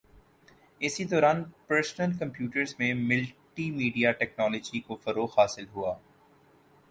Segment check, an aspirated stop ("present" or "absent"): absent